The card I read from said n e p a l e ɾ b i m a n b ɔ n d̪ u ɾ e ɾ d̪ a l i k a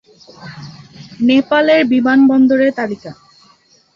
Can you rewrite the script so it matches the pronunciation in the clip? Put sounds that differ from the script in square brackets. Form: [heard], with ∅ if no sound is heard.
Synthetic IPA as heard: n e p a l e ɾ b i m a n b ɔ n d̪ [o] ɾ e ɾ [t̪] a l i k a